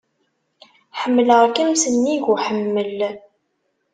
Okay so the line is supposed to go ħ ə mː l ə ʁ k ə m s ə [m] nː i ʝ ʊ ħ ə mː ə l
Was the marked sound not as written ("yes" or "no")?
yes